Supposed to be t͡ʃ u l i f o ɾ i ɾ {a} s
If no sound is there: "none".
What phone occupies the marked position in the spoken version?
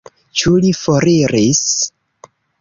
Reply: i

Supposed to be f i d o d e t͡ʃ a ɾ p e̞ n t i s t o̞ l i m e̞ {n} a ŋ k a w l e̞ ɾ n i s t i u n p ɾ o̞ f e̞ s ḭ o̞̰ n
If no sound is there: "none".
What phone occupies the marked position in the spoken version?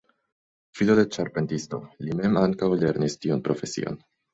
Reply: m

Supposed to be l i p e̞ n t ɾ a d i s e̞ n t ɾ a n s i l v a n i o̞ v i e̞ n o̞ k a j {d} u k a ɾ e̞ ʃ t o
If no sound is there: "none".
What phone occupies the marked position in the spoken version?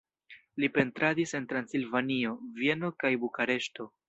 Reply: b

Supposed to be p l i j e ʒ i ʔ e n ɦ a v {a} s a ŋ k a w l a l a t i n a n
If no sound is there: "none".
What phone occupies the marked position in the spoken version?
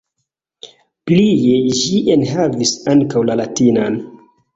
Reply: i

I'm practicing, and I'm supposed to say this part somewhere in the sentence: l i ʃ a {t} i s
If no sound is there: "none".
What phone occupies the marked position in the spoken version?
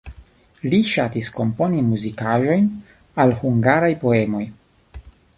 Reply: t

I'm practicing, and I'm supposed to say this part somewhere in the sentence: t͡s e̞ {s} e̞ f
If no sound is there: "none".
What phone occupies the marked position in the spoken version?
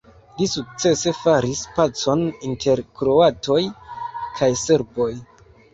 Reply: s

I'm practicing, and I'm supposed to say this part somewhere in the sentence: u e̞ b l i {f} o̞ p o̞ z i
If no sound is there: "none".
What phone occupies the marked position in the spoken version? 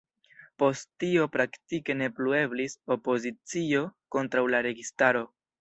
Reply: s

